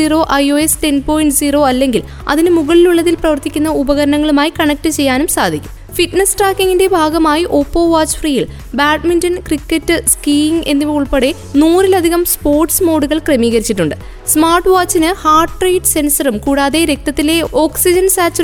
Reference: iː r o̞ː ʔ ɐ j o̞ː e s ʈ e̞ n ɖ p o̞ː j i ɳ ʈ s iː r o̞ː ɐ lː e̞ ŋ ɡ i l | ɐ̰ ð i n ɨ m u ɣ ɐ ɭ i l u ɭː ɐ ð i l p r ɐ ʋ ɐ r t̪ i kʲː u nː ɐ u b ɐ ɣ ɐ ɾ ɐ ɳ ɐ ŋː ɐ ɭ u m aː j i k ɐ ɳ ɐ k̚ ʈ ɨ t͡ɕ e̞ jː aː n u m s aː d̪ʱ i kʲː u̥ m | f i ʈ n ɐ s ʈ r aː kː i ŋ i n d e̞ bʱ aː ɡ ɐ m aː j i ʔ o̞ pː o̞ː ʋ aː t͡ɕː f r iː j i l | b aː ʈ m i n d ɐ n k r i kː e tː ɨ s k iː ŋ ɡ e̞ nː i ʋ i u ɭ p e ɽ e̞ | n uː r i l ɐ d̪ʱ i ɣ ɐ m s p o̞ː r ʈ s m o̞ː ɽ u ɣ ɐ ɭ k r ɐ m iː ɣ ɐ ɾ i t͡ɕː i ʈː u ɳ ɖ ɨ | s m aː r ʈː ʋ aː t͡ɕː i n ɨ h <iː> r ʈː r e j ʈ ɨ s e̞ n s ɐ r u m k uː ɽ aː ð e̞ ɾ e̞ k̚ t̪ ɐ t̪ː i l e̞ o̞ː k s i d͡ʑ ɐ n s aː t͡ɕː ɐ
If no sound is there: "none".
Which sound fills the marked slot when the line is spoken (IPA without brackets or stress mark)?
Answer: aː